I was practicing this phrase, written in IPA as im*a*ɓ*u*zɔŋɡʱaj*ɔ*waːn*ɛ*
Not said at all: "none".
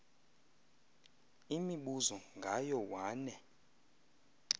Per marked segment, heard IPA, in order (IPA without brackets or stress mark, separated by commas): i, u, ɔ, ɛ